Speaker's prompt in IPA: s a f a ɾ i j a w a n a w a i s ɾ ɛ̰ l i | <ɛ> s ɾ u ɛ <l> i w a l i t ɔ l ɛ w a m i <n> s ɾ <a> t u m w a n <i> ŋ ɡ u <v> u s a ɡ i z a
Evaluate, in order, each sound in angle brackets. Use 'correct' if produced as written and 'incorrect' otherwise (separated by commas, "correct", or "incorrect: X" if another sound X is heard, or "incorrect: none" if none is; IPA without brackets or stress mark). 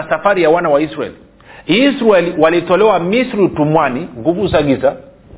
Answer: incorrect: i, correct, incorrect: none, incorrect: i, correct, correct